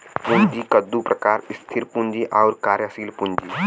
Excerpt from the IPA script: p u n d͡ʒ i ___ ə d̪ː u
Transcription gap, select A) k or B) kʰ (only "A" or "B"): A